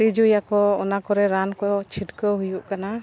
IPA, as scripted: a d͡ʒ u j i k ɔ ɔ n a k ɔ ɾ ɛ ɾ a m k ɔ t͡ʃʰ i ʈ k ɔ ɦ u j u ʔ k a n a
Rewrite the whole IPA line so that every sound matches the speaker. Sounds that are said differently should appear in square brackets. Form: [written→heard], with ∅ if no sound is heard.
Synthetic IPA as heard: [a→i] d͡ʒ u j [i→a] k ɔ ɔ n a k ɔ ɾ ɛ ɾ a [m→n] k ɔ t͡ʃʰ i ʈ k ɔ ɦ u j u ʔ k a n a